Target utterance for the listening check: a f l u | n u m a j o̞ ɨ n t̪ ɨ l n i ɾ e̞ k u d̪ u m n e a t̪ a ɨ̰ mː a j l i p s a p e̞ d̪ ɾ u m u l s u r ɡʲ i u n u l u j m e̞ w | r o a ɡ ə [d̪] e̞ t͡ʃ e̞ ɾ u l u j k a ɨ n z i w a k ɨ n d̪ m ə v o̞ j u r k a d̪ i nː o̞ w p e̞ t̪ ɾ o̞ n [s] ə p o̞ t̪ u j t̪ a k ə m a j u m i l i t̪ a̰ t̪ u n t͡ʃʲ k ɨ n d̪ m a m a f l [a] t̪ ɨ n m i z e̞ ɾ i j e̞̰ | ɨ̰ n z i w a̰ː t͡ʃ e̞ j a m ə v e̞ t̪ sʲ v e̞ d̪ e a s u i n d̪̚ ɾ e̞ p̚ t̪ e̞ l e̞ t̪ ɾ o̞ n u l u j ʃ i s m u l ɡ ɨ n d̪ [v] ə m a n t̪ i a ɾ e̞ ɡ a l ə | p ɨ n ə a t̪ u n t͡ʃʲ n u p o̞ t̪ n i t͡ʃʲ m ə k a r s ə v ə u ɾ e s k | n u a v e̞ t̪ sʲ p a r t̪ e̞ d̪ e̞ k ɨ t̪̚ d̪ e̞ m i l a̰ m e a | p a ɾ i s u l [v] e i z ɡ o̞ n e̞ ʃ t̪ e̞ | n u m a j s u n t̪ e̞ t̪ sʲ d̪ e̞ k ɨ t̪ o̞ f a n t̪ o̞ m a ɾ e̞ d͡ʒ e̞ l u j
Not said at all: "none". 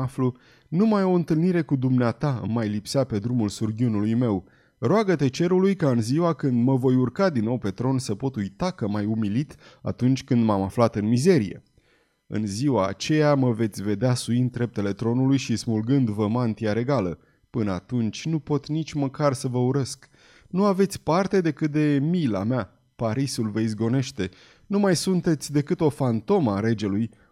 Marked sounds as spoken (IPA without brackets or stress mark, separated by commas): t̪, s, a, v, v